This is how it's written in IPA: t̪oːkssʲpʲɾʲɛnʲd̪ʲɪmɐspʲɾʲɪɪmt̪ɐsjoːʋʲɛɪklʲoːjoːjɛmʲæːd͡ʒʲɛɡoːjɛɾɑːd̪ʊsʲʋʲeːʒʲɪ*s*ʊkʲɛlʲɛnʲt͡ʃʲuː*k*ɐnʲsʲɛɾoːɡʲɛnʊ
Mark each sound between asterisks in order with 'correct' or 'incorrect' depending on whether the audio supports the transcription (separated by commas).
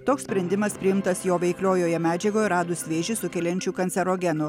correct, correct